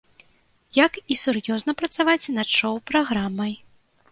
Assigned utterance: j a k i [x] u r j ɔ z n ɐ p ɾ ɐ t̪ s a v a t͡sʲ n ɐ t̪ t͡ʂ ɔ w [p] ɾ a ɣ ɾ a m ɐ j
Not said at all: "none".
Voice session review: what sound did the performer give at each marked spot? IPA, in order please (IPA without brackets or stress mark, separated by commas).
s, p